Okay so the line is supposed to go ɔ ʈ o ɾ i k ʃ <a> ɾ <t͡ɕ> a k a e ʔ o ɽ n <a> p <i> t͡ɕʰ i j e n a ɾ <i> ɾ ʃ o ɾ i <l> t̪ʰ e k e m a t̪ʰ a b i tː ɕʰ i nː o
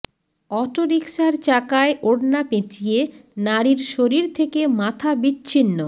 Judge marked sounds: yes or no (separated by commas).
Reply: yes, yes, yes, no, yes, no